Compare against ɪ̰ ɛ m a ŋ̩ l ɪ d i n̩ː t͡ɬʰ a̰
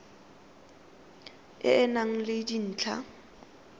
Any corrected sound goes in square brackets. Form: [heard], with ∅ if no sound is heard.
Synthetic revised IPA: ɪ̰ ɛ [n] a ŋ̩ l ɪ d i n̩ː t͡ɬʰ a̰